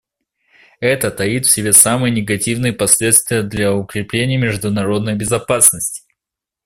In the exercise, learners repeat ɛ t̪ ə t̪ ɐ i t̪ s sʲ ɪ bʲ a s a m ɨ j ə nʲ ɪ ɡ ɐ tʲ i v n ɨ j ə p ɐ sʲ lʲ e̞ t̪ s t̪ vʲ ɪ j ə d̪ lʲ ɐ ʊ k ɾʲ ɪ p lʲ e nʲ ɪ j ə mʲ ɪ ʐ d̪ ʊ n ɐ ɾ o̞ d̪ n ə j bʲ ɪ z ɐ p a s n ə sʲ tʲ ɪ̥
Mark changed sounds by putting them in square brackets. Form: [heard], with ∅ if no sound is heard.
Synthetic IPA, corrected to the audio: ɛ t̪ ə t̪ ɐ i t̪ [f] sʲ ɪ bʲ [e] s a m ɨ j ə nʲ ɪ ɡ ɐ tʲ i v n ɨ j ə p ɐ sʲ lʲ e̞ t̪ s t̪ vʲ ɪ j ə d̪ lʲ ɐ ʊ k ɾʲ ɪ p lʲ e nʲ ɪ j ə mʲ ɪ ʐ d̪ ʊ n ɐ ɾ o̞ d̪ n ə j bʲ ɪ z ɐ p a s n ə sʲ tʲ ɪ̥